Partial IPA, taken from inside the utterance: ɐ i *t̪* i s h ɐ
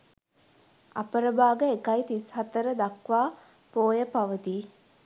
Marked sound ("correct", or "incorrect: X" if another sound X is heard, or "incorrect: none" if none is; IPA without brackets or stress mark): correct